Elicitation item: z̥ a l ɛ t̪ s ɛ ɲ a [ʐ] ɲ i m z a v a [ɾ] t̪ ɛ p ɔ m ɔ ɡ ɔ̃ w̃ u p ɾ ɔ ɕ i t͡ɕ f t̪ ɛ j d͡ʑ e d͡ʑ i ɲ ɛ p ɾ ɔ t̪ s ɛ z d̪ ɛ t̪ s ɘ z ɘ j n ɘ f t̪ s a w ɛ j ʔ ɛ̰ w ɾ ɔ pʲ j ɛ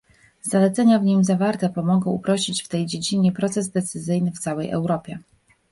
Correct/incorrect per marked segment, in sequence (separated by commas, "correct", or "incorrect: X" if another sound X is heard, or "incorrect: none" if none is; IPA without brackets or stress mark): incorrect: v, correct